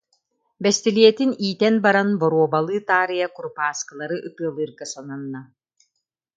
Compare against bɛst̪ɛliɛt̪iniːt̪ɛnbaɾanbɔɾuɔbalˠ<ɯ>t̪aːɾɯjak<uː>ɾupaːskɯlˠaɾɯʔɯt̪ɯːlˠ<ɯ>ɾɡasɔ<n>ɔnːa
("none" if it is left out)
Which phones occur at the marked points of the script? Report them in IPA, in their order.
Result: ɯː, u, ɯː, n

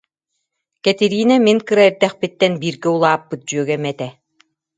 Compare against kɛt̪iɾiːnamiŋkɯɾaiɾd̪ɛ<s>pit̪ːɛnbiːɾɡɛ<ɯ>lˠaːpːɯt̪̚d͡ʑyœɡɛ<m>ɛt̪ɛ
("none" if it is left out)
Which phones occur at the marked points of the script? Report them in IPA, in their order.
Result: χ, u, m

